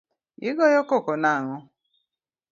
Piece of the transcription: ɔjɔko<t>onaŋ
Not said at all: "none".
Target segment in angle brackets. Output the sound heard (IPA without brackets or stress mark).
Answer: k